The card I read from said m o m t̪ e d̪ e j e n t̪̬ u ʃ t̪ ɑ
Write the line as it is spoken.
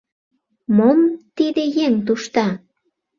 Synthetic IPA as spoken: m o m t̪ i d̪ e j e ŋ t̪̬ u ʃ t̪ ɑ